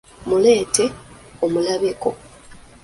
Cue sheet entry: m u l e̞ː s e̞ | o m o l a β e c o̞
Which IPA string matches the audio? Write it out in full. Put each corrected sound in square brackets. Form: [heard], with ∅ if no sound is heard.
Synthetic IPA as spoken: m u l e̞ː [t] e̞ | o m [u] l a β e [k] o̞

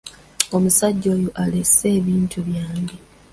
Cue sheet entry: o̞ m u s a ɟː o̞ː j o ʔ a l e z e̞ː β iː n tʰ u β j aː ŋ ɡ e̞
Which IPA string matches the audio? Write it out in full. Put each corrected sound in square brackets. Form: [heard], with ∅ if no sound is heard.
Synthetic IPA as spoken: o̞ m u s a ɟː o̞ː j o ʔ a l e [s] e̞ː β iː n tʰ u β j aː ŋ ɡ e̞

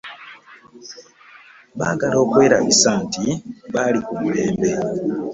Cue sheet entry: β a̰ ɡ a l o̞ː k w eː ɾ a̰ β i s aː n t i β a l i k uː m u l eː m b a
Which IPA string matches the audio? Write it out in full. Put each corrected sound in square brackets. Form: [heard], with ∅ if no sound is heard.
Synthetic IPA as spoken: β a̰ ɡ a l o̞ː k w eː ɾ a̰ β i s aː n t i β a l i k [u] m u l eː m b [e]

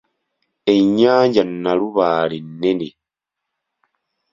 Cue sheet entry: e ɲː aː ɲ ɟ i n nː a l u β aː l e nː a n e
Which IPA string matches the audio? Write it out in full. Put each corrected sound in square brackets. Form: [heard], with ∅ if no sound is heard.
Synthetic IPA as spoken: e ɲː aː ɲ ɟ [a] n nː a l u β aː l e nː [e] n e

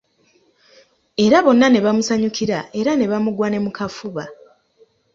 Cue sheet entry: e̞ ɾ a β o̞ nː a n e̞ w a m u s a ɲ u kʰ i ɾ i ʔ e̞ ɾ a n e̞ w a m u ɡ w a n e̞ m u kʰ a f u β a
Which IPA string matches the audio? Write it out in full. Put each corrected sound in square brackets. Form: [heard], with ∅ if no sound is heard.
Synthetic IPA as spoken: e̞ ɾ a β o̞ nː a n e̞ [β] a m u s a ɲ u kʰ i ɾ [a] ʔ e̞ ɾ a n e̞ [β] a m u ɡ w a n e̞ m u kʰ a f u β a

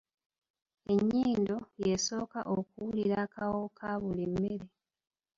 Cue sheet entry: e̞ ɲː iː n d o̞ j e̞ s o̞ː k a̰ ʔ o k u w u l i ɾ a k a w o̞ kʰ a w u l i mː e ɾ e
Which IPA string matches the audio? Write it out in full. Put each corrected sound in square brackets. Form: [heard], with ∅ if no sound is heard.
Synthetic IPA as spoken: e̞ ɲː iː n d o̞ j e̞ s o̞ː k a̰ ʔ o k u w u l i ɾ a k a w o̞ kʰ a [β] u l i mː e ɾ e

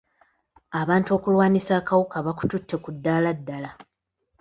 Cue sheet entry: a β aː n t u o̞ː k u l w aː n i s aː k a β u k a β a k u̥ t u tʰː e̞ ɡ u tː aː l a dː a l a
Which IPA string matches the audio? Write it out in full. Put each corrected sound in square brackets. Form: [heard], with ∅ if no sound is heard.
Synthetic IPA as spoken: a β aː n t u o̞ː k u l w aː n i s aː k a [w] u k a β a k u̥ t u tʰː e̞ [k] u [dː] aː l a dː a l a

